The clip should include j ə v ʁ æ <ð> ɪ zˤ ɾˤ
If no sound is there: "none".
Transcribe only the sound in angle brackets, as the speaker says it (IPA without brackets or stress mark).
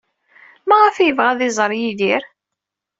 ð